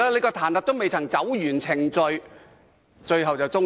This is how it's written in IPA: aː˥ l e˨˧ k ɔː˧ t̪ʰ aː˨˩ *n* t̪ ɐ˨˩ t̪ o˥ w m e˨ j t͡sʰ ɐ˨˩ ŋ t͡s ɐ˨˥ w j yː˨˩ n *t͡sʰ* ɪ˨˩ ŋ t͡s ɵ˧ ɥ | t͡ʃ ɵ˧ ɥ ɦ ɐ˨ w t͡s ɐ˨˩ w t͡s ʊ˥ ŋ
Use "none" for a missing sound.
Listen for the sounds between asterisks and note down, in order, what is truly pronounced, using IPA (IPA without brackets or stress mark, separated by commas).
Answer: n, t͡sʰ